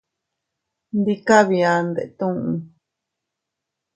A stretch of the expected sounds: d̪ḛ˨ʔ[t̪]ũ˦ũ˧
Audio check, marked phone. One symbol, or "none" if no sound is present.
t̪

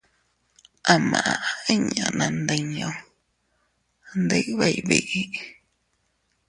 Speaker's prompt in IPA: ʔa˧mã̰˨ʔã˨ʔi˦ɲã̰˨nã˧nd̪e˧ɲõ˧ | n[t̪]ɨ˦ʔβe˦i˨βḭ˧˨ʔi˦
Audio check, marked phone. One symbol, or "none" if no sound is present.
d̪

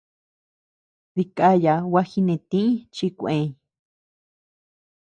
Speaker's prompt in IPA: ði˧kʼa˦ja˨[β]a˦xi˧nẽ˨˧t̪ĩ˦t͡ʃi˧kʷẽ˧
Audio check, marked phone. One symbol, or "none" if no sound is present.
w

